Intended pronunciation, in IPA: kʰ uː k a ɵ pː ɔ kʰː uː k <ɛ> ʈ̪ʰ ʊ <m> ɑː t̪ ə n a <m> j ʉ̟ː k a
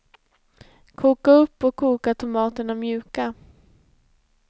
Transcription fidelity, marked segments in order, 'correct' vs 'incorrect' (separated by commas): incorrect, correct, correct